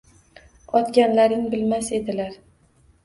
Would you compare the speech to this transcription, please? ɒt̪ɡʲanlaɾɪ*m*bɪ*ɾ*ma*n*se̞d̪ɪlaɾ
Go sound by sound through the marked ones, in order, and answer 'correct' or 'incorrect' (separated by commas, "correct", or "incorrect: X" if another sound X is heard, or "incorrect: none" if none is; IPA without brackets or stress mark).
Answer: incorrect: ŋ, incorrect: l, incorrect: none